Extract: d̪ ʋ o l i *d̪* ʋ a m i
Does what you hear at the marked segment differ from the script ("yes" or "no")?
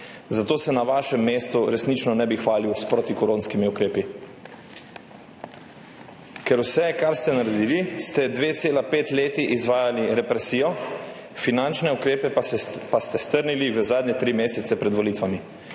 yes